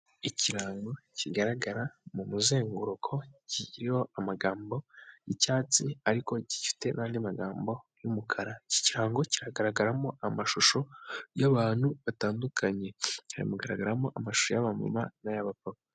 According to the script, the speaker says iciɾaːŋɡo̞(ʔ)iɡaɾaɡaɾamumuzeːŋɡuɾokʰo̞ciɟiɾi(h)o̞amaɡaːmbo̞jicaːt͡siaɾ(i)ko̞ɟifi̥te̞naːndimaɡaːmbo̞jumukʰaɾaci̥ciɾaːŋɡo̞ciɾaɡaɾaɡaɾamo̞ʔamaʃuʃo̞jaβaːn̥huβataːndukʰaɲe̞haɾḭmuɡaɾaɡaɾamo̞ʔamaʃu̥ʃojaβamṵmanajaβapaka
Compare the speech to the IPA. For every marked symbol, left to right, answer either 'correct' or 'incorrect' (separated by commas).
incorrect, correct, correct